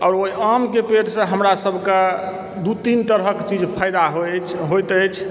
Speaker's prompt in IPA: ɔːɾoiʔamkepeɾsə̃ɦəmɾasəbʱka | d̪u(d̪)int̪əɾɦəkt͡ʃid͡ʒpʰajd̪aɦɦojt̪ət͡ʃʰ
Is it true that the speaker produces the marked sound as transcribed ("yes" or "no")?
no